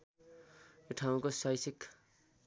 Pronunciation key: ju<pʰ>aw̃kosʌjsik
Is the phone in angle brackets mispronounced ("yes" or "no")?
yes